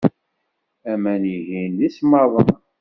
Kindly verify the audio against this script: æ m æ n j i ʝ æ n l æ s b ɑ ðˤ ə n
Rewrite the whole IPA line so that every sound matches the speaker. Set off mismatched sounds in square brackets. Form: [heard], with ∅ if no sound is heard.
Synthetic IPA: æ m æ n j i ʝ [i] n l [i] s [m] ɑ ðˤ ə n